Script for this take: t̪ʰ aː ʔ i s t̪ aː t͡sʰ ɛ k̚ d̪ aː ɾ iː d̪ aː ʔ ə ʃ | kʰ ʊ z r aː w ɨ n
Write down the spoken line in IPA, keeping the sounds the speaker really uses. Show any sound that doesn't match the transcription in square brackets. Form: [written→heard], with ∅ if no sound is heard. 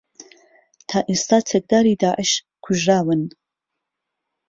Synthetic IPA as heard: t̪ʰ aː ʔ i s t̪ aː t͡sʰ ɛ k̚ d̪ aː ɾ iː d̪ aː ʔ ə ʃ | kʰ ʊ [z→ʒ] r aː w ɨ n